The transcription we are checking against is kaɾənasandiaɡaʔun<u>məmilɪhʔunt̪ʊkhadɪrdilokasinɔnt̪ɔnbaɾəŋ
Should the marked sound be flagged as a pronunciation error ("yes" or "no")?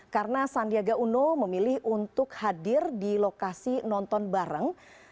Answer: yes